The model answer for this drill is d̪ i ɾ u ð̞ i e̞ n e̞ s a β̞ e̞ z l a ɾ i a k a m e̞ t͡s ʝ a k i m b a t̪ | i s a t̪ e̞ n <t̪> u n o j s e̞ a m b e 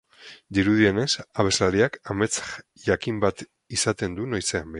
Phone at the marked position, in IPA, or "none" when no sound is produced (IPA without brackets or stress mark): d̪